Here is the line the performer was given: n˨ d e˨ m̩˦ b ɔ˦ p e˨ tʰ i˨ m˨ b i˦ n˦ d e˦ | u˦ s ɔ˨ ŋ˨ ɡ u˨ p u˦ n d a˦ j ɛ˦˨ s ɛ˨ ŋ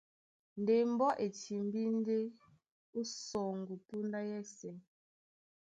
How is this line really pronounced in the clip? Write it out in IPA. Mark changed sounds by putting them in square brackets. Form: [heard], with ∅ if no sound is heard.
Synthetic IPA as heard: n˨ d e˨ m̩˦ b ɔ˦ [ʔ] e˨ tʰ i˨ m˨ b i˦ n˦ d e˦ | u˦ s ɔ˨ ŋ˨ ɡ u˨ p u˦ n d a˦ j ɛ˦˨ s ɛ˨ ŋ